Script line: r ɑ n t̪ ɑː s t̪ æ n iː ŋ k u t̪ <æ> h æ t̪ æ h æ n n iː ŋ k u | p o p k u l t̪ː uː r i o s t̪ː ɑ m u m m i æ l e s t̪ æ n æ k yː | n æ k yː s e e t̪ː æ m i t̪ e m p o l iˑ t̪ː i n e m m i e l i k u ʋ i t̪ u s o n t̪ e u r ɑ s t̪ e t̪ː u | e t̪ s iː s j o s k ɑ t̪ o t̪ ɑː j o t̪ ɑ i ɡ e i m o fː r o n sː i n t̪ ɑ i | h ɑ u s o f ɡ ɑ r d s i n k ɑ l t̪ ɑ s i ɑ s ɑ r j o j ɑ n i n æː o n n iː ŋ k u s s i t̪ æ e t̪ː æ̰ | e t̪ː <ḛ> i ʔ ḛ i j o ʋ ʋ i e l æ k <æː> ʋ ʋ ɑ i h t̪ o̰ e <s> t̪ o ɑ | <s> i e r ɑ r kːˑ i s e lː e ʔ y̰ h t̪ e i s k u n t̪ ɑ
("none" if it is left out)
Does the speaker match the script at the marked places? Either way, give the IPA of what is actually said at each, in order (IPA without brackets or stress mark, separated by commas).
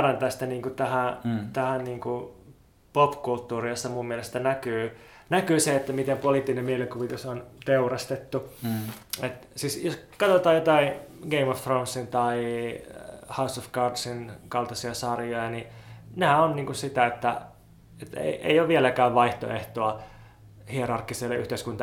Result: æ, ḛ, æː, h, h